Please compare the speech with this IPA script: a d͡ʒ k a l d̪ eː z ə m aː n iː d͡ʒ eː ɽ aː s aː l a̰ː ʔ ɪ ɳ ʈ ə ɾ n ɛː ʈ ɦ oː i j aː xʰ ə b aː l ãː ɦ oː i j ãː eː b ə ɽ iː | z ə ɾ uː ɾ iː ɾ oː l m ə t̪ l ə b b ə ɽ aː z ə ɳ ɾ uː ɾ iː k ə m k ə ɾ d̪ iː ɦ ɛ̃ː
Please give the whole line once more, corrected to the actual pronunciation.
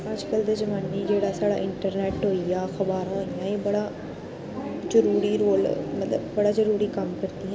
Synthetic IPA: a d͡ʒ k ə l d̪ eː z ə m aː n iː d͡ʒ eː ɽ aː s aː ɽ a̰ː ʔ ɪ ɳ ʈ ə ɾ n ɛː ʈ ɦ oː i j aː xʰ ə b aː ɾ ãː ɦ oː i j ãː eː b ə ɽ aː | z ə ɾ uː ɾ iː ɾ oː l m ə t̪ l ə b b ə ɽ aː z ə ɾ uː ɾ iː k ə m k ə ɾ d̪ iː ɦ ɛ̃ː